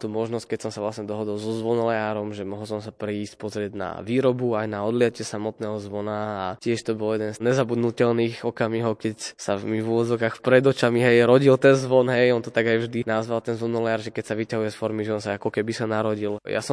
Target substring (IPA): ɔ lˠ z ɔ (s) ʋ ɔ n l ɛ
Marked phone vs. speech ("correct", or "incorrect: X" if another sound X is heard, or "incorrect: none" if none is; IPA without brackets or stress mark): incorrect: z